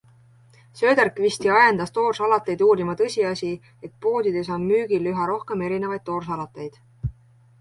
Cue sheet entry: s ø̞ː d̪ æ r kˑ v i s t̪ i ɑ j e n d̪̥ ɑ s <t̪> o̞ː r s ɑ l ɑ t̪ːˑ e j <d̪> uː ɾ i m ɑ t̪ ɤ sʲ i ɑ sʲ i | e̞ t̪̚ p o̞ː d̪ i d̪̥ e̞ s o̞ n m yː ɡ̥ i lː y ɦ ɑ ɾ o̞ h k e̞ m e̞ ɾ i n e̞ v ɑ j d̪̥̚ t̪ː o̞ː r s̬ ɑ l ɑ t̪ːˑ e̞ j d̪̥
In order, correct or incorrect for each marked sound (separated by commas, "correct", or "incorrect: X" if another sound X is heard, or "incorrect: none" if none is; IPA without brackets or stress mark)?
correct, correct